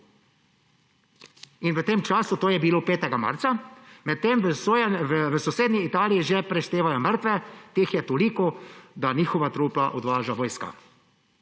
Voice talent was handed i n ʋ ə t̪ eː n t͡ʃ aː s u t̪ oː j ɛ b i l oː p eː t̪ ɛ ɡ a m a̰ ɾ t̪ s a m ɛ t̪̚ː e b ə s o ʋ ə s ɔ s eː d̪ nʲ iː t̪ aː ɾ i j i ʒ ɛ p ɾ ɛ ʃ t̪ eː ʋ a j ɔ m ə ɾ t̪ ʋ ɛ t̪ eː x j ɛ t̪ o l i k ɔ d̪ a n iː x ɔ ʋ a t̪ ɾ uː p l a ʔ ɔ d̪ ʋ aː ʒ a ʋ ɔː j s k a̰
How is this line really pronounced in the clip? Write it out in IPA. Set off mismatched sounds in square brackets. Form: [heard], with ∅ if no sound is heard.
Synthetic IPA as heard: i n ʋ ə t̪ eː [m] t͡ʃ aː s u t̪ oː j ɛ b i l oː p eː t̪ ɛ ɡ a m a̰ ɾ t̪ s a m ɛ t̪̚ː e [m] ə s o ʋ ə s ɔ s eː d̪ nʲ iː t̪ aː [l] i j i ʒ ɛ p ɾ ɛ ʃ t̪ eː ʋ a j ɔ m ə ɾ t̪ ʋ ɛ t̪ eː x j ɛ t̪ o l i k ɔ d̪ a n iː x ɔ ʋ a t̪ ɾ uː p l a ʔ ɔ d̪ ʋ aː ʒ a ʋ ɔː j s k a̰